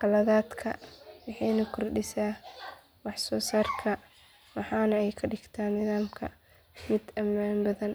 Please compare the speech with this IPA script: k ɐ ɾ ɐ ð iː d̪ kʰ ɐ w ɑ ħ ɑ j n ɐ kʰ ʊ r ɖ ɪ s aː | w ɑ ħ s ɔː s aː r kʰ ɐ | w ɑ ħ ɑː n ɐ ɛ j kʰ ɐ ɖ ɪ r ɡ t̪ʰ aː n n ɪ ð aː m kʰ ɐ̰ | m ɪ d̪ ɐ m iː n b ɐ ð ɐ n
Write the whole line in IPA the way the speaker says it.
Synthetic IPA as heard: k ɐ l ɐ ð aː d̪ kʰ ɐ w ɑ ħ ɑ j n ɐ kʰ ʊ r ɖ ɪ s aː | w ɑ ħ s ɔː s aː r kʰ ɐ | w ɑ ħ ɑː n ɐ ɛ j kʰ ɐ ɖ ɪ ɡ t̪ʰ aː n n ɪ ð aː m kʰ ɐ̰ | m ɪ d̪ ɐ m aː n b ɐ ð ɐ n